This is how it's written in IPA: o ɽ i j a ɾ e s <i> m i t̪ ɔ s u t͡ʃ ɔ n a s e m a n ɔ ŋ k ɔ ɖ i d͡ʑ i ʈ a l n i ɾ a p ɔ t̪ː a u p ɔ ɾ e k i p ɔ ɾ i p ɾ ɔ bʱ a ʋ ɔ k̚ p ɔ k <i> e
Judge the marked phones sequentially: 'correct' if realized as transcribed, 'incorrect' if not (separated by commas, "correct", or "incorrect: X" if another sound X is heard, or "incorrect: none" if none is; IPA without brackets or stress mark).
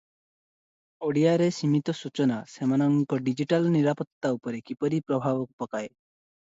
correct, incorrect: a